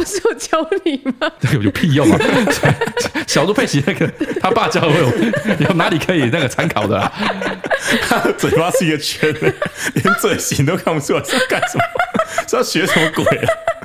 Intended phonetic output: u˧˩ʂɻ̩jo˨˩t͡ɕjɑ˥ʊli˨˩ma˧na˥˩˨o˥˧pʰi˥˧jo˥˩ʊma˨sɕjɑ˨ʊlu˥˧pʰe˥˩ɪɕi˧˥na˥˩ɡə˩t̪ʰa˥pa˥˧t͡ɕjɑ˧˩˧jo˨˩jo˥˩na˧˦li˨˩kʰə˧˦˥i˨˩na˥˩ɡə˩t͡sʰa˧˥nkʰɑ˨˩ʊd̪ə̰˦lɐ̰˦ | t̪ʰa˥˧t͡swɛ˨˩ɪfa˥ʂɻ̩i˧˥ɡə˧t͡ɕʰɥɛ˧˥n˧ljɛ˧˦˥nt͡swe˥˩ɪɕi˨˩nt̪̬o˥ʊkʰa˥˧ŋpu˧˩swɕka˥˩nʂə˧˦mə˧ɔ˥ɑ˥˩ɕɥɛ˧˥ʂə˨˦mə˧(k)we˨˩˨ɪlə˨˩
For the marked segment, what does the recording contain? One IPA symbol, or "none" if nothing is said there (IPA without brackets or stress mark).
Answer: k